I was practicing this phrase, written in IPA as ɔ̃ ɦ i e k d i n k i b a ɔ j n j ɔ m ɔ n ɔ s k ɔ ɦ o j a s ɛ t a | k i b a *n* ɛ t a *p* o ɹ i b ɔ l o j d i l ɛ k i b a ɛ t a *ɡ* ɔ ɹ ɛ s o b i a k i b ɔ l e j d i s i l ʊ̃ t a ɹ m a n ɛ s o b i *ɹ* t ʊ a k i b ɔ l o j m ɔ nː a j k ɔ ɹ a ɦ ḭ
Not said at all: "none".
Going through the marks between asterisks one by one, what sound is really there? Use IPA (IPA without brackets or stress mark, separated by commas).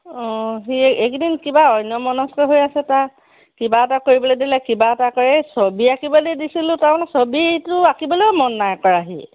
none, k, k, none